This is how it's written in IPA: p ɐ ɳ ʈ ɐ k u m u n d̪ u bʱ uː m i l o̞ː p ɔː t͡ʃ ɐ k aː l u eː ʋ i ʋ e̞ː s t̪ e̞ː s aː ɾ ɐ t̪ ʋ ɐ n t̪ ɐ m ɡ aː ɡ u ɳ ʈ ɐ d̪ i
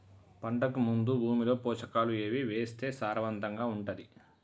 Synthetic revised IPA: p ɐ ɳ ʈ ɐ k u m u n d̪ u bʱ uː m i l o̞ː p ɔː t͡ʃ ɐ k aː l u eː ʋ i ʋ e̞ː s t̪ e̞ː s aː ɾ ɐ ʋ ɐ n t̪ ɐ ŋ ɡ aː u ɳ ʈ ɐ d̪ i